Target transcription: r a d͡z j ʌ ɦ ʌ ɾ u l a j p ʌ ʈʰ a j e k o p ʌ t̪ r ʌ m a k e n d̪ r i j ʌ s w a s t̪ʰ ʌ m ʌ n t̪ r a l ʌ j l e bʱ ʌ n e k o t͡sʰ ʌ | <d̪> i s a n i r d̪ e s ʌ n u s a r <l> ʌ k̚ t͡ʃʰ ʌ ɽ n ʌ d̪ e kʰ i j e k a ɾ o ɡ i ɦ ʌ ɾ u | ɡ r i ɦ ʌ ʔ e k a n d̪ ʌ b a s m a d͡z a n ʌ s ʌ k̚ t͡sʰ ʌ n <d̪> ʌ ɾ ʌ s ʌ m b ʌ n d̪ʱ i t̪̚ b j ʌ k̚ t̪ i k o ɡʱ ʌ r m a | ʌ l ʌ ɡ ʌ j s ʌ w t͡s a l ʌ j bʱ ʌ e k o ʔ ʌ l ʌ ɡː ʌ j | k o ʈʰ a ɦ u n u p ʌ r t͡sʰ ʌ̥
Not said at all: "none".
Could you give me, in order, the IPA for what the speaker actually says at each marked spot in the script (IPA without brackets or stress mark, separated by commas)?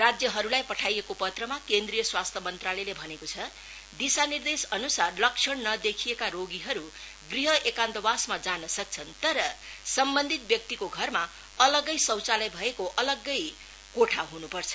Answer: d̪, l, t̪